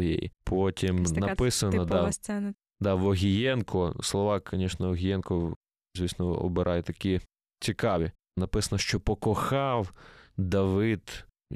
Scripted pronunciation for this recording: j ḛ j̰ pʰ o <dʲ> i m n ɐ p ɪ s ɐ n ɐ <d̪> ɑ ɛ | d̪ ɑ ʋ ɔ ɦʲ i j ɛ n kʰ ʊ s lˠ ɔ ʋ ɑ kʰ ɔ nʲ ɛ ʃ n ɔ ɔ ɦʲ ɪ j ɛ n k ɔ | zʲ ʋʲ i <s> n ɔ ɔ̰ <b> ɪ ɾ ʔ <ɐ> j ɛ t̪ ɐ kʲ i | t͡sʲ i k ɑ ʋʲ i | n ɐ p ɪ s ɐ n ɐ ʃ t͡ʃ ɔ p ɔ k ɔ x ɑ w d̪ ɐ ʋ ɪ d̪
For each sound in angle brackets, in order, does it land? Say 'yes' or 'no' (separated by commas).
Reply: no, yes, yes, yes, no